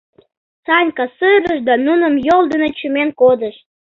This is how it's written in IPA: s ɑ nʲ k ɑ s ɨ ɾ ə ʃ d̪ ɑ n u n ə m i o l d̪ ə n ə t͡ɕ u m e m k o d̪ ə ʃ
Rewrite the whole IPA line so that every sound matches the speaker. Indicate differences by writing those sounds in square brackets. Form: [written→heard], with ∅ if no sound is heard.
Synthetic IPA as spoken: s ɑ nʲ k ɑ s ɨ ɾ ə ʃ d̪ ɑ n u n ə m [i→j] o l d̪ ə n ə t͡ɕ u m e [m→n] k o d̪ ə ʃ